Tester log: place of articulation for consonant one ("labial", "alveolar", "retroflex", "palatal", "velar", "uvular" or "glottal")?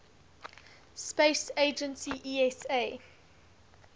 alveolar